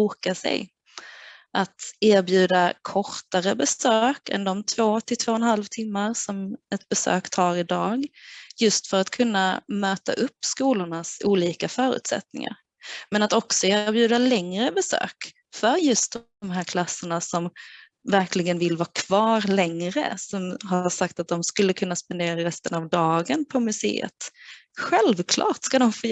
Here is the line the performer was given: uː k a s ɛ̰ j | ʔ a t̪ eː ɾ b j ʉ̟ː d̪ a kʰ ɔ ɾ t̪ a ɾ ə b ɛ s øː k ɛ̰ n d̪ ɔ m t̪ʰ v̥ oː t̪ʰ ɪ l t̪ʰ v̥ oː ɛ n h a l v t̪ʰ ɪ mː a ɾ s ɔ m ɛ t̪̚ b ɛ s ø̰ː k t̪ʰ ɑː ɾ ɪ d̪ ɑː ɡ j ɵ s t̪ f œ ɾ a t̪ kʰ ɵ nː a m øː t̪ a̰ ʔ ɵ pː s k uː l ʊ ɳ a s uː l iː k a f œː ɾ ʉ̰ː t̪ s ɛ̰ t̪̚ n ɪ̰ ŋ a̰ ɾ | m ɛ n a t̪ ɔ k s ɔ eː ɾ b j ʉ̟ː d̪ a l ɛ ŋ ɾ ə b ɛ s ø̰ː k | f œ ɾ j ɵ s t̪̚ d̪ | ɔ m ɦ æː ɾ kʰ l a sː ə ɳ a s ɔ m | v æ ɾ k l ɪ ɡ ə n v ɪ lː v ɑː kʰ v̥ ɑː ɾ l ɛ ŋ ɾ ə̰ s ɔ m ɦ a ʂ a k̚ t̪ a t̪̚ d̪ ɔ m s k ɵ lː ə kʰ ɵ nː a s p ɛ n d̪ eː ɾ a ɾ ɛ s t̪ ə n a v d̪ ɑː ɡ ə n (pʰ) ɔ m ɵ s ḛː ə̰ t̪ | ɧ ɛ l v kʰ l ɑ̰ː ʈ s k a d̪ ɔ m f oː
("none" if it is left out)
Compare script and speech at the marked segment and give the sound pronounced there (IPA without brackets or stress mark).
pʰ